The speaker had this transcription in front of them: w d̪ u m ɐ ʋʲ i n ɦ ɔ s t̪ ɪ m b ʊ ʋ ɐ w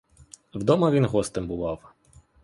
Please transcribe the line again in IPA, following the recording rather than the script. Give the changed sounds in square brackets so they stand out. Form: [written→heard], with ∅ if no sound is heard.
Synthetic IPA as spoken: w d̪ [u→ɔ] m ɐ ʋʲ i n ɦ ɔ s t̪ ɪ m b ʊ ʋ [ɐ→ɑ] w